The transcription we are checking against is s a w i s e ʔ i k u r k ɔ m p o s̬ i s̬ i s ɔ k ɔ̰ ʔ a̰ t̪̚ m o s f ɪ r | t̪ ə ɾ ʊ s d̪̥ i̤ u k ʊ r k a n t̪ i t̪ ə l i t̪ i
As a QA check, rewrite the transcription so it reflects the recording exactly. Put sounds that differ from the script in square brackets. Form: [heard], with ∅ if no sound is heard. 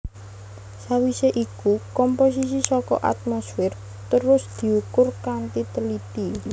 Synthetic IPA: s a w i s e ʔ i k u [∅] k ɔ m p o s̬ i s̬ i s ɔ k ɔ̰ ʔ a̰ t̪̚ m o s f ɪ r | t̪ ə ɾ ʊ s d̪̥ i̤ u k ʊ r k a n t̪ i t̪ ə l i t̪ i